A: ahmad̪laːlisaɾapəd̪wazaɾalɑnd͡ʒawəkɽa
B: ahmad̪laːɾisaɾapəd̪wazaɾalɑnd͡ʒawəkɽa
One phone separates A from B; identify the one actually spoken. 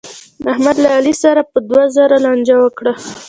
A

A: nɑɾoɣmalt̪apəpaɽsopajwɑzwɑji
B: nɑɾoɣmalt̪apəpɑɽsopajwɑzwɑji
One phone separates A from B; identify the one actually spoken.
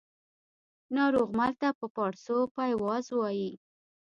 B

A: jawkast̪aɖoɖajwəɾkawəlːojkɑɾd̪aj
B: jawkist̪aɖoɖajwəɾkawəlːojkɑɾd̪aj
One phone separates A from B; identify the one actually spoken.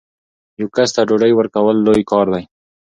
A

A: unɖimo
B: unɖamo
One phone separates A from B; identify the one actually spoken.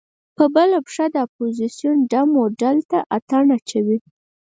B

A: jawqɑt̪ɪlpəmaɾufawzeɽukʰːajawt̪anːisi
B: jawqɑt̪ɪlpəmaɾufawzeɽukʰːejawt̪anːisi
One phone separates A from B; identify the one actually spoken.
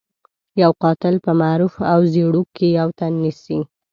B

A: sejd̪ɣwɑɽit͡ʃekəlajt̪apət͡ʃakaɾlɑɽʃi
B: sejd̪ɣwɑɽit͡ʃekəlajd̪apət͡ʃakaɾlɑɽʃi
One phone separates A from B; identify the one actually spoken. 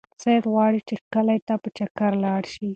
A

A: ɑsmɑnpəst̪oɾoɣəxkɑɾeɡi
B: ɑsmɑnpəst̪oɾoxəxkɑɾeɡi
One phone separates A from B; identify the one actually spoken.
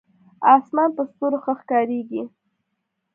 B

